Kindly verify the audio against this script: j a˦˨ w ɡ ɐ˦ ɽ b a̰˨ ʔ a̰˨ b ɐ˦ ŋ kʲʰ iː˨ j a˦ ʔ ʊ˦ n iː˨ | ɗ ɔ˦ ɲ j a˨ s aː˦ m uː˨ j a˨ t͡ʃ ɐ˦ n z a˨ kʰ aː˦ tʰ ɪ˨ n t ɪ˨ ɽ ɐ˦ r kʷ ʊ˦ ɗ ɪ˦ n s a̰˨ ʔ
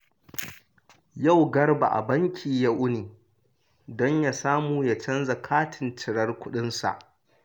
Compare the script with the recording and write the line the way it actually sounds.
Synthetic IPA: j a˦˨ w ɡ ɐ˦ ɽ b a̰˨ ʔ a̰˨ b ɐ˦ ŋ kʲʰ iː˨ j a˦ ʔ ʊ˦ n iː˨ | d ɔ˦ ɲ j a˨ s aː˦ m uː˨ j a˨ t͡ʃ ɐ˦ n z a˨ kʰ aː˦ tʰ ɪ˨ n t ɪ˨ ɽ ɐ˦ r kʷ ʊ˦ ɗ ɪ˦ n s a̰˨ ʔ